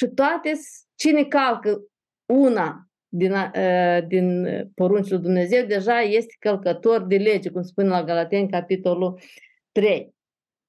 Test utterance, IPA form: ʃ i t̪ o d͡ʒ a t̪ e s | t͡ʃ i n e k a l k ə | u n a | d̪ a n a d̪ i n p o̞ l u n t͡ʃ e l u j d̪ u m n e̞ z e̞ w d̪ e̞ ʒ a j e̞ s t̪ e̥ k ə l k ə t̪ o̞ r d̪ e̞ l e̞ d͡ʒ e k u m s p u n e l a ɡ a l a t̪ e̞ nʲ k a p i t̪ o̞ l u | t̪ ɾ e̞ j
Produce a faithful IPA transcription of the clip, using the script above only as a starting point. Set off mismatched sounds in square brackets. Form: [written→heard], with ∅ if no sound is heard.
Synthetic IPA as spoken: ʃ i t̪ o [d͡ʒ→∅] a t̪ e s | t͡ʃ i n e k a l k ə | u n a | d̪ [a→i] n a d̪ i n p o̞ [l→ɾ] u n t͡ʃ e l u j d̪ u m n e̞ z e̞ w d̪ e̞ ʒ a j e̞ s t̪ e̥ k ə l k ə t̪ o̞ r d̪ e̞ l e̞ d͡ʒ e k u m s p u n e l a ɡ a l a t̪ e̞ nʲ k a p i t̪ o̞ l u | t̪ ɾ e̞ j